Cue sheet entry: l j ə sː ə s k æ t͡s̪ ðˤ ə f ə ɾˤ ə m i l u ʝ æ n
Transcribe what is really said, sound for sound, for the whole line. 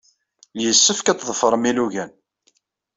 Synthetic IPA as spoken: l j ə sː ə f k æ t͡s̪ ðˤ ə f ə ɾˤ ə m i l u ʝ æ n